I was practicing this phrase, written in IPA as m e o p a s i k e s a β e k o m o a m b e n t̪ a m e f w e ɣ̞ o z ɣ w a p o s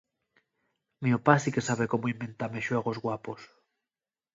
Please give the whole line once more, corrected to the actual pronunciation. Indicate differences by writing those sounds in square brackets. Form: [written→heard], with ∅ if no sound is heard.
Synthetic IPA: m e o p a s i k e s a β e k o m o [a→i] m b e n t̪ a m e [f→ʃ] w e ɣ̞ o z ɣ w a p o s